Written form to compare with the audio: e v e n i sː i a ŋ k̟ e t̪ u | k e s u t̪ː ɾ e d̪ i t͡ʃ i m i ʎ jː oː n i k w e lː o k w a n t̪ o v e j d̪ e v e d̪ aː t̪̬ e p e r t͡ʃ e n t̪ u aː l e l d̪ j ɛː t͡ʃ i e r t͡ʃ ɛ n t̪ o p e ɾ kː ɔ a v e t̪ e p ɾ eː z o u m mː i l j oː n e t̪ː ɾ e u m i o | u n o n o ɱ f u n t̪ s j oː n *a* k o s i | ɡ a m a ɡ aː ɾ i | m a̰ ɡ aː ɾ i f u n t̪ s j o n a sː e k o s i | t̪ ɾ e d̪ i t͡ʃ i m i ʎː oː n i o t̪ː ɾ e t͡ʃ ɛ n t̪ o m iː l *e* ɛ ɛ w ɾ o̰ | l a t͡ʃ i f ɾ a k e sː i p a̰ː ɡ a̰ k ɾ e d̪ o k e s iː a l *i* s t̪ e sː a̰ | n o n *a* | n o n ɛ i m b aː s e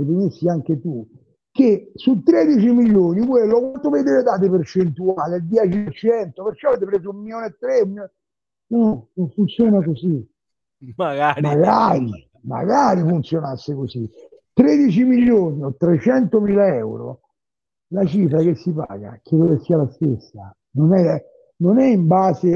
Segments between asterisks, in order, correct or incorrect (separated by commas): correct, incorrect, incorrect, incorrect